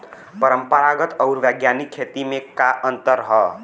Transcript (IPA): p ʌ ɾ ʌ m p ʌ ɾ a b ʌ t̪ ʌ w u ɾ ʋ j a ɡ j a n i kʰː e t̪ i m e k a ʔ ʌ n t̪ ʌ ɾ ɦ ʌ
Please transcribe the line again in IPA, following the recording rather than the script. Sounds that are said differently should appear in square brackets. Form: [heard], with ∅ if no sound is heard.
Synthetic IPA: p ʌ ɾ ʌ m p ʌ ɾ a [ɡ] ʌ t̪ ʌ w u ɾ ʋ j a ɡ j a n i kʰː e t̪ i m e k a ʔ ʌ n t̪ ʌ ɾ ɦ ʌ